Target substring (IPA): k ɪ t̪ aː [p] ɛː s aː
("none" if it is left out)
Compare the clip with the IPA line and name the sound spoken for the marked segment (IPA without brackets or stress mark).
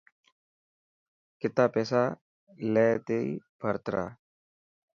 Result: p